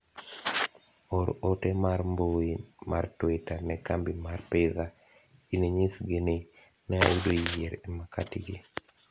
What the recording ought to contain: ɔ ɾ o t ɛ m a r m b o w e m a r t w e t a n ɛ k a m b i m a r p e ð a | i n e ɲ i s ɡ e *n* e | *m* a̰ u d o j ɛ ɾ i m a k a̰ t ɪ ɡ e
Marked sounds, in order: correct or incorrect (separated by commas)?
correct, incorrect